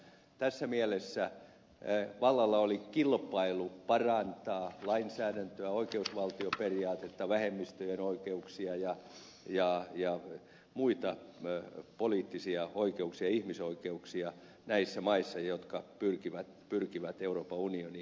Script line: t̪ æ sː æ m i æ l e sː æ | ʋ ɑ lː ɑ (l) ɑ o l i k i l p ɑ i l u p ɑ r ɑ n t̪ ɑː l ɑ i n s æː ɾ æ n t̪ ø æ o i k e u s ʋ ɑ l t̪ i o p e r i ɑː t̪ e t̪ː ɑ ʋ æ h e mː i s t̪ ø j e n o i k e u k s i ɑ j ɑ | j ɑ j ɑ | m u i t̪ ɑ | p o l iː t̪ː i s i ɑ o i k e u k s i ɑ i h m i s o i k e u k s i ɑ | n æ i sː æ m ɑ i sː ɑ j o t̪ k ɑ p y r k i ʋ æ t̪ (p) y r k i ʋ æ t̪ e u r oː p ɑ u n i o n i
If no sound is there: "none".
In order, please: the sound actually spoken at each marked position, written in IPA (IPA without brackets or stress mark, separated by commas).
lː, p